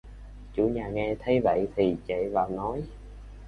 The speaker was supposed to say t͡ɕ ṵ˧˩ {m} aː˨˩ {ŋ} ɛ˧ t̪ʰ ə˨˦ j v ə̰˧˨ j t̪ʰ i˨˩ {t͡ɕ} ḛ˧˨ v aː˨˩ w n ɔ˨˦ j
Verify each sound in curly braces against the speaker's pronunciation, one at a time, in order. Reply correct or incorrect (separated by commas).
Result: incorrect, correct, correct